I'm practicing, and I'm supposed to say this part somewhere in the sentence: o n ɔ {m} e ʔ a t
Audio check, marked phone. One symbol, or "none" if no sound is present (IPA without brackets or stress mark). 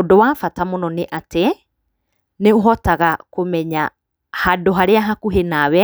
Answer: n